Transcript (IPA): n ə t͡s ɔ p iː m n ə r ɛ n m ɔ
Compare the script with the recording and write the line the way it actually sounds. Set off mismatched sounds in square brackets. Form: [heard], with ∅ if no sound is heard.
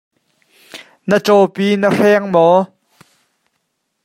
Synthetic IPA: n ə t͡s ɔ p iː [∅] n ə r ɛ [ŋ] m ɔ